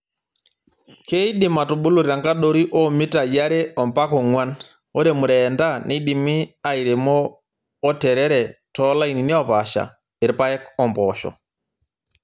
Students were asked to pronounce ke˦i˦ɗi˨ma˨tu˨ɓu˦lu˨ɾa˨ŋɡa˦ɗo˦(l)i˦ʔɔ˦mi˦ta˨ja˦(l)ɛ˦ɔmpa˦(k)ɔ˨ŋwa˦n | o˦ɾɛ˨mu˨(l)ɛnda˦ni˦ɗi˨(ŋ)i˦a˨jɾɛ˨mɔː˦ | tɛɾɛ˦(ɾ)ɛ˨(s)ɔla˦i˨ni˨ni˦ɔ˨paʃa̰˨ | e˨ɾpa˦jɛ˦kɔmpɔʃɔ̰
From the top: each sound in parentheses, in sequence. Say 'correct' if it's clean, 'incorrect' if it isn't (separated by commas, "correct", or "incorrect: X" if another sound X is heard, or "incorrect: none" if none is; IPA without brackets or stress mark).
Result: incorrect: ɾ, incorrect: ɾ, correct, incorrect: ɾ, incorrect: m, correct, incorrect: t